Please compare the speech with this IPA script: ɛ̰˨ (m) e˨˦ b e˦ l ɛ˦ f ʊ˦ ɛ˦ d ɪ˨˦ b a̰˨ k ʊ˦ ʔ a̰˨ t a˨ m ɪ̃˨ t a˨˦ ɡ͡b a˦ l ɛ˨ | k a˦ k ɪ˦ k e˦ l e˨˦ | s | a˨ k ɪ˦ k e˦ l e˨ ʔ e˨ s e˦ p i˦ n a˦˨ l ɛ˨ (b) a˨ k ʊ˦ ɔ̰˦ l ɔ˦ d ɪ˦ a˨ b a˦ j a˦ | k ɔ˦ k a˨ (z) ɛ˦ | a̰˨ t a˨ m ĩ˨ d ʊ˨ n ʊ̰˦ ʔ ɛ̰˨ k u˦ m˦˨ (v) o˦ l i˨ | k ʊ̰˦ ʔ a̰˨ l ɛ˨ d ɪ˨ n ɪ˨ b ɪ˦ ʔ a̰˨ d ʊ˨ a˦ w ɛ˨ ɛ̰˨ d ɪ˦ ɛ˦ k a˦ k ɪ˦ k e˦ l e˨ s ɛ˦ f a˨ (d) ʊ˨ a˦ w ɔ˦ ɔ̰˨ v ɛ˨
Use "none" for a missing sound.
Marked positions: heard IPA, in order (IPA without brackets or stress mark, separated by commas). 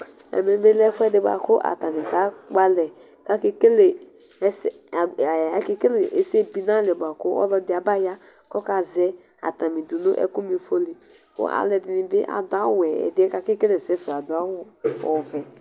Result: m, b, z, f, d